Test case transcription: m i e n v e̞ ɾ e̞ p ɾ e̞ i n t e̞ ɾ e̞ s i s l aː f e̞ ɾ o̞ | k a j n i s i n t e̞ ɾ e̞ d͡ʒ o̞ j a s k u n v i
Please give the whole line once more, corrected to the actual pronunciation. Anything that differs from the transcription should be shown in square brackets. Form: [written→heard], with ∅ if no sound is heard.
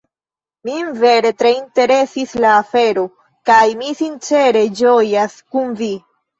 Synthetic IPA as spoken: m i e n v e̞ ɾ e̞ [p→t] ɾ e̞ i n t e̞ ɾ e̞ s i s l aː f e̞ ɾ o̞ | k a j [n→m] i s i n [t→t͡ʃ] e̞ ɾ e̞ d͡ʒ o̞ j a s k u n v i

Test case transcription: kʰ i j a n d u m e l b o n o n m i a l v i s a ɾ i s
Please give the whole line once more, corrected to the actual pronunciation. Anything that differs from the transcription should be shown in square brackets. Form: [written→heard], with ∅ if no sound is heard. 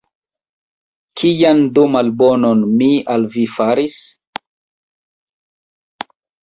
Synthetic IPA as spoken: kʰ i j a n d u m [e→a] l b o n o n m i a l v i [s→f] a ɾ i s

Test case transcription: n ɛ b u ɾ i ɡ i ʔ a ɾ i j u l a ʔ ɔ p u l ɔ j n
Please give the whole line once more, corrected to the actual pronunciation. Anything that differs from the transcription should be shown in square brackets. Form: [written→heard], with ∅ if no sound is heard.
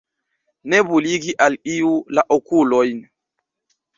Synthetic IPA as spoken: n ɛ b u [ɾ→l] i ɡ i ʔ a [ɾ→l] i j u l a ʔ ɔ [p→k] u l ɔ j n

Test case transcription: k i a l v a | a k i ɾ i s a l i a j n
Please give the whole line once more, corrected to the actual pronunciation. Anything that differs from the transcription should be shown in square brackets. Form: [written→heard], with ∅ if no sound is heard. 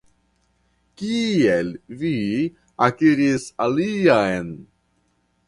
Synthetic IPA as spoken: k i [a→e] l v [a→i] | a k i ɾ i s a l i a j n

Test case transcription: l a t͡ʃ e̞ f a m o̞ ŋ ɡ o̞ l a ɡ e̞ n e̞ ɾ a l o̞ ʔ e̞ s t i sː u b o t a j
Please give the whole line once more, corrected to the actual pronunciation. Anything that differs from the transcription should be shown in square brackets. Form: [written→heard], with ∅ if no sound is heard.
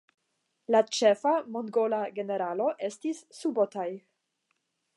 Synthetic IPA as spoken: l a t͡ʃ e̞ f a m o̞ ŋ ɡ o̞ l a ɡ e̞ n e̞ ɾ a l o̞ ʔ e̞ s t i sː u b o t a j

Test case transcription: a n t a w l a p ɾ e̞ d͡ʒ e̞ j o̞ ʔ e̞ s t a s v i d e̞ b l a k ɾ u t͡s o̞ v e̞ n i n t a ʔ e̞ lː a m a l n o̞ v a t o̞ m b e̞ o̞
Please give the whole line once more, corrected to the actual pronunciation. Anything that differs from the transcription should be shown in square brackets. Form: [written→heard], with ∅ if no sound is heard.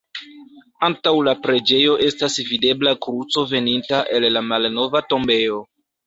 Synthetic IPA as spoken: a n t a w l a p ɾ e̞ d͡ʒ e̞ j o̞ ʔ e̞ s t a s v i d e̞ b l a k ɾ u t͡s o̞ v e̞ n i n t a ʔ e̞ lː a m a l n o̞ v a t o̞ m b e̞ o̞

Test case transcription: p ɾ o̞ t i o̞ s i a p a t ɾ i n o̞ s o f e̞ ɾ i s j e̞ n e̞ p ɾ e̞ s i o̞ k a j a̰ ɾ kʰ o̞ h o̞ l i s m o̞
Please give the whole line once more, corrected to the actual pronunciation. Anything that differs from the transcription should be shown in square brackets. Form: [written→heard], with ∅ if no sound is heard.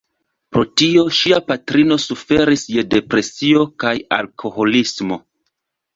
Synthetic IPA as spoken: p ɾ o̞ t i o̞ [s→ʃ] i a p a t ɾ i n o̞ s [o→u] f e̞ ɾ i s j e̞ [n→d] e̞ p ɾ e̞ s i o̞ k a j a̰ [ɾ→l] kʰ o̞ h o̞ l i s m o̞

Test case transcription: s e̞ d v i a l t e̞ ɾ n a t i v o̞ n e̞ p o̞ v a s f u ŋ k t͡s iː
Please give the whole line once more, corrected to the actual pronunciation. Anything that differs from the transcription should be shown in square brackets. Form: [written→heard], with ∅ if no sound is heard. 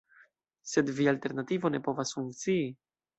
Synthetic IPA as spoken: s e̞ d v i a l t e̞ ɾ n a t i v o̞ n e̞ p o̞ v a s f u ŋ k t͡s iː

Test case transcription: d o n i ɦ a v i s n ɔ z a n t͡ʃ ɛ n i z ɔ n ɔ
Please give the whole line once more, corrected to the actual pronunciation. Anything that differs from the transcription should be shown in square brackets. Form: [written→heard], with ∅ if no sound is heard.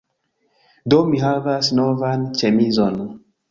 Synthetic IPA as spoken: d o [n→m] i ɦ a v [i→a] s n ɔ [z→v] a n t͡ʃ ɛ [n→m] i z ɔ n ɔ

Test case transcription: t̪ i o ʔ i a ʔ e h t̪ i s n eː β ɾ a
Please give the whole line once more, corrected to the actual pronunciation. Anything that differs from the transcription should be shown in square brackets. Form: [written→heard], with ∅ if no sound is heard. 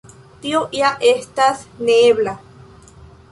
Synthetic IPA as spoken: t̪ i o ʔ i a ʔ e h t̪ [i→a] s n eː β [ɾ→l] a

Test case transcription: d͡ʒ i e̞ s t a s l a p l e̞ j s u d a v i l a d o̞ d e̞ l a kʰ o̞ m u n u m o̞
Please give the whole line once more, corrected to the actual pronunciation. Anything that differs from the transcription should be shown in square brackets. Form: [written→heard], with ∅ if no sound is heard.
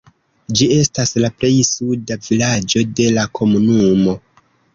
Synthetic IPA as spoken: d͡ʒ i e̞ s t a s l a p l e̞ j s u d a v i l a [d→d͡ʒ] o̞ d e̞ l a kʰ o̞ m u n u m o̞

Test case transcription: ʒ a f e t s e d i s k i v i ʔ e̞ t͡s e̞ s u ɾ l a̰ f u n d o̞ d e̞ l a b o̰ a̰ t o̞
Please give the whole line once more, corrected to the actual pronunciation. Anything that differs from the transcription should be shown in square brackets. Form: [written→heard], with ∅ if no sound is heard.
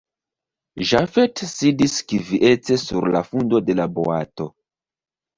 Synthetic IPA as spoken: ʒ a f e t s [e→i] d i s k i v i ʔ e̞ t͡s e̞ s u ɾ l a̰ f u n d o̞ d e̞ l a b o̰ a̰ t o̞

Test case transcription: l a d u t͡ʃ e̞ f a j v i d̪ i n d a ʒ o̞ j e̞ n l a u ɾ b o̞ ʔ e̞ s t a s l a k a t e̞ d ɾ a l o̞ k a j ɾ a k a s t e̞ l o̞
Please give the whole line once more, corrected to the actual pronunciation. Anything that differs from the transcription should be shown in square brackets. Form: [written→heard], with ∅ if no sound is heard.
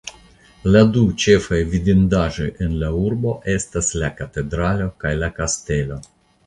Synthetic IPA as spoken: l a d u t͡ʃ e̞ f a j v i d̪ i n d a ʒ o̞ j e̞ n l a u ɾ b o̞ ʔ e̞ s t a s l a k a t e̞ d ɾ a l o̞ k a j [ɾ→l] a k a s t e̞ l o̞

